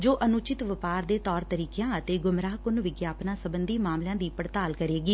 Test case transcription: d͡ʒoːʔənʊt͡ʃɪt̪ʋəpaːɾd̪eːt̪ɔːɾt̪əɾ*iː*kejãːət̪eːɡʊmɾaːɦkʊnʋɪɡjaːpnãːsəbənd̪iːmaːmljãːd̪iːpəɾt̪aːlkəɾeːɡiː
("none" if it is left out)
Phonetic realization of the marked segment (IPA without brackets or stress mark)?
iː